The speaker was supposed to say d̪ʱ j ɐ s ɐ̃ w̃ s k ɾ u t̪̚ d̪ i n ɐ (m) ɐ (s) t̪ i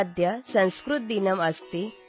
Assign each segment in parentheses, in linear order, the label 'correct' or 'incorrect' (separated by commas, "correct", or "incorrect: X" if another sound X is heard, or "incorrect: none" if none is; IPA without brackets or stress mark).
correct, correct